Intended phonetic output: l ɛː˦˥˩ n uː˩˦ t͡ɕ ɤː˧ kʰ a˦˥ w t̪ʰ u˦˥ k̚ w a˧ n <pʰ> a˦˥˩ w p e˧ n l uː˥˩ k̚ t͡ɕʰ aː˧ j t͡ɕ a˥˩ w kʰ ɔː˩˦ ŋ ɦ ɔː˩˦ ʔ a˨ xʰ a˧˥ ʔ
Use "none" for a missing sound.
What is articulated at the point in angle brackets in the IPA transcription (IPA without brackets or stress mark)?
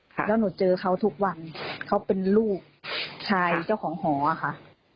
kʰ